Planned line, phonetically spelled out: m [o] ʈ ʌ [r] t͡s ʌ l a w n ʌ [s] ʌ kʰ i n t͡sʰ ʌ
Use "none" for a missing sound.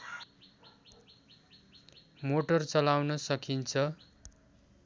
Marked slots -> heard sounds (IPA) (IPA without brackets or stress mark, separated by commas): o, r, s